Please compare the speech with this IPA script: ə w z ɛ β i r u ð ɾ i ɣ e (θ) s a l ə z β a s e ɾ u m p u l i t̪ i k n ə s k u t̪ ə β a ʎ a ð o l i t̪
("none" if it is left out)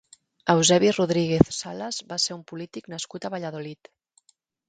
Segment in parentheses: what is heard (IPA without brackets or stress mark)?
θ